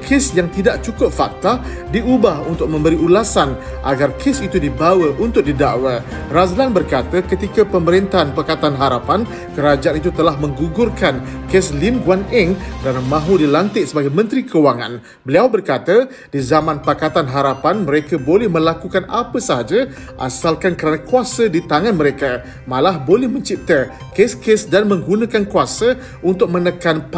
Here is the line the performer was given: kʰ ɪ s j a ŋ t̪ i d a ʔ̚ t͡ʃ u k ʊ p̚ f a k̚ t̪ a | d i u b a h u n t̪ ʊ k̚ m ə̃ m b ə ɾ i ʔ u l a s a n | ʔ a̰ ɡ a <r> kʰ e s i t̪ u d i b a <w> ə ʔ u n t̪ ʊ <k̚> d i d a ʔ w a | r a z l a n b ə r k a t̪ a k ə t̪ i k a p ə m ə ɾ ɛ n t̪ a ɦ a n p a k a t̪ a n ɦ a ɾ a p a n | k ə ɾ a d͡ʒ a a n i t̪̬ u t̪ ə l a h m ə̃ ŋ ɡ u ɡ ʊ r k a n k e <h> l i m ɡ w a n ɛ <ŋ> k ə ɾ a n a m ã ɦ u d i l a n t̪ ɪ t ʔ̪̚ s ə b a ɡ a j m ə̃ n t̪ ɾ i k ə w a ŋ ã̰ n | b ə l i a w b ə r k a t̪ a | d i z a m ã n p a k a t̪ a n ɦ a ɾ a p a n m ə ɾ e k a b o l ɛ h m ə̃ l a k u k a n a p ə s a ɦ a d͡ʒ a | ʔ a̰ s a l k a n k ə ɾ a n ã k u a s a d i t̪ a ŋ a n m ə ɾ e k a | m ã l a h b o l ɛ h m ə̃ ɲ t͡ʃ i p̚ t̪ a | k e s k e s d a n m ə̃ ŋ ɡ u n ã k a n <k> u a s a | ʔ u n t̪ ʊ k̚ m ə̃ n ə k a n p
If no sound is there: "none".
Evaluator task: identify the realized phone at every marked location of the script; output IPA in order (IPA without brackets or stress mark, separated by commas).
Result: r, w, k̚, s, ŋ, k